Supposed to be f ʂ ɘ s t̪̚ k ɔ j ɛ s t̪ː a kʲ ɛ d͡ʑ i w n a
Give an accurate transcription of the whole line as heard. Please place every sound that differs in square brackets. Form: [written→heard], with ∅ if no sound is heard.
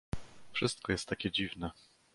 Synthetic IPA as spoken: f ʂ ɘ s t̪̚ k ɔ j ɛ s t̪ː a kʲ ɛ d͡ʑ i [w→v] n [a→ɛ]